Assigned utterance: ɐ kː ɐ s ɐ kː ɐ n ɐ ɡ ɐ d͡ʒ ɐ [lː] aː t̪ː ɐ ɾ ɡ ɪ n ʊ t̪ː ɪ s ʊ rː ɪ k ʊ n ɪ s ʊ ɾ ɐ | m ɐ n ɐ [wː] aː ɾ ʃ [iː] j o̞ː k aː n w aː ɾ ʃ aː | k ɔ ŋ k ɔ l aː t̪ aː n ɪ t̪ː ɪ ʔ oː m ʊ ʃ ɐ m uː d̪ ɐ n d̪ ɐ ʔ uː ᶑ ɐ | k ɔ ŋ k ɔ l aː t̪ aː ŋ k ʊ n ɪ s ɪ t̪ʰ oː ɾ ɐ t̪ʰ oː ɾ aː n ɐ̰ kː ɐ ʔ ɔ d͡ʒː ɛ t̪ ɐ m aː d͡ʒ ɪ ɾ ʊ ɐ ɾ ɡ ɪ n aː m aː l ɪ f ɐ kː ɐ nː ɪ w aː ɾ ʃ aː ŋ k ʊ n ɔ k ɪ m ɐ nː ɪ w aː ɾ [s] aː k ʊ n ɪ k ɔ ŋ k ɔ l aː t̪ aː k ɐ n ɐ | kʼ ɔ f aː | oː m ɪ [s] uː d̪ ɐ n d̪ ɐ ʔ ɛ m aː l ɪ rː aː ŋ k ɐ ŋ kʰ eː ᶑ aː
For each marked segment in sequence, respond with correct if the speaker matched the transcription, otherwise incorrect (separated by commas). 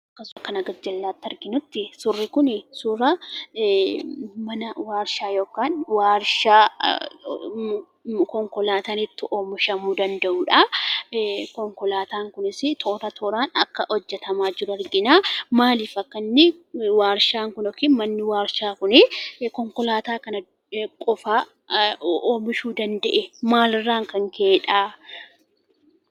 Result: correct, incorrect, incorrect, incorrect, incorrect